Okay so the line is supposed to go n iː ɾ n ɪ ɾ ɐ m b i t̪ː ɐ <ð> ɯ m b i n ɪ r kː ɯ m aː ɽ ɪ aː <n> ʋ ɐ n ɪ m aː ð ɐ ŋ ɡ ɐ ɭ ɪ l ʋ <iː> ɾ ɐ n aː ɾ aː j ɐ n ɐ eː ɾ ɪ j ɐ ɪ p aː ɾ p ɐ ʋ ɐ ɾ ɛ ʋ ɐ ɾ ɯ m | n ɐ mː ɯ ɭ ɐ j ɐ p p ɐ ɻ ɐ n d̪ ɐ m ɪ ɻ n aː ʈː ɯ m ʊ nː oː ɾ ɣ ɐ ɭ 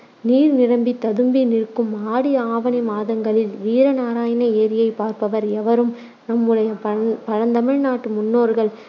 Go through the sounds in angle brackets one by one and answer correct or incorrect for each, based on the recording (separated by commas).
correct, incorrect, correct